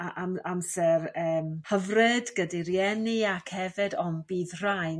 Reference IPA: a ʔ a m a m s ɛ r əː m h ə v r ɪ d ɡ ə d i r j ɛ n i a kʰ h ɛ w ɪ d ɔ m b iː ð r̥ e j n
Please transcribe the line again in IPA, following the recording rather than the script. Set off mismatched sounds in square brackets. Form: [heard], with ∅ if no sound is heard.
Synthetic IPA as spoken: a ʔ a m a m s ɛ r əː m h ə v r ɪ d ɡ ə d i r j ɛ n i a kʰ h ɛ [v] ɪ d ɔ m b iː ð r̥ [a] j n